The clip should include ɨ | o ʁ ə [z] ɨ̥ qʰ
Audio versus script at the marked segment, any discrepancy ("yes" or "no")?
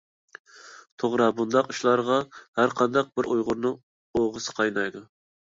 yes